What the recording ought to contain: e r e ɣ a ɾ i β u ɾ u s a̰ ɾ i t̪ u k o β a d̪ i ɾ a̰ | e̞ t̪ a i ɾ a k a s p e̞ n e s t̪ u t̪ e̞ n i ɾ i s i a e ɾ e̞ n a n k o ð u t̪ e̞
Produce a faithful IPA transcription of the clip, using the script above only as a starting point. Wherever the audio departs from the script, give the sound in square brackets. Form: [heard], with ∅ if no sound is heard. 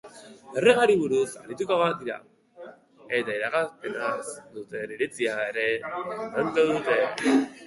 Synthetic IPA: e r e ɣ a ɾ i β u ɾ u s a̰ ɾ i t̪ u k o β a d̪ i ɾ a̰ | e̞ t̪ a i ɾ a k a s p e̞ n [a] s [d̪] u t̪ e̞ n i ɾ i [t͡s] i a e ɾ e̞ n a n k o ð u t̪ e̞